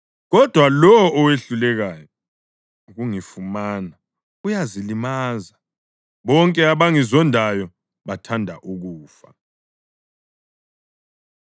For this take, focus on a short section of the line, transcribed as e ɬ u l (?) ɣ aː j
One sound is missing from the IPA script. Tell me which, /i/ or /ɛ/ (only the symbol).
ɛ